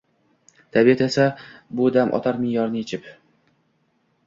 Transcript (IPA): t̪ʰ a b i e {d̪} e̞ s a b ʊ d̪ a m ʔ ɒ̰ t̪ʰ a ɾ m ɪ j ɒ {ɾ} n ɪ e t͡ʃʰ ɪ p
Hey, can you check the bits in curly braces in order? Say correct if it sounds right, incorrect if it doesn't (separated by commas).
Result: incorrect, correct